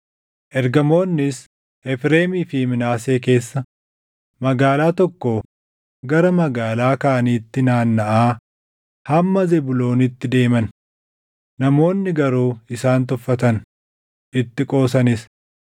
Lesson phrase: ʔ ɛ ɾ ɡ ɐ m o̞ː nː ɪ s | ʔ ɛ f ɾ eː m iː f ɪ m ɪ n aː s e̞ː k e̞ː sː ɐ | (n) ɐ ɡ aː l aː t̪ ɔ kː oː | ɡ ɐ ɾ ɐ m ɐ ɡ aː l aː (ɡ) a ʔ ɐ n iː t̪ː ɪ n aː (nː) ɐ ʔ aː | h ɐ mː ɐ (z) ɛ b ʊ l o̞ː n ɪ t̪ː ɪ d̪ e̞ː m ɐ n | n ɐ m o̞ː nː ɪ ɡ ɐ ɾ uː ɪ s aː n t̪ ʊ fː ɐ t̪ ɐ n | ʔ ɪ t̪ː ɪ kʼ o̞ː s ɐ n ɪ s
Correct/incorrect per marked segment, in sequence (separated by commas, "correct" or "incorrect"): incorrect, incorrect, correct, correct